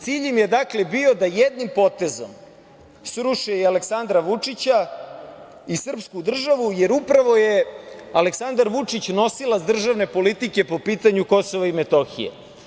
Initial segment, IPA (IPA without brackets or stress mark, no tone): t̪